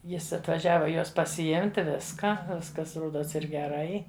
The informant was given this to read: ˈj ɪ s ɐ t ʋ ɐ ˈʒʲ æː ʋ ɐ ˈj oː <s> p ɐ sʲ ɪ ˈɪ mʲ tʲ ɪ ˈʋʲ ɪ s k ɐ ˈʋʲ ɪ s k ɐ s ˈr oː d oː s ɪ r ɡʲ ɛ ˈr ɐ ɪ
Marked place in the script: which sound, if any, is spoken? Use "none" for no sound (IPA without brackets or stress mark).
s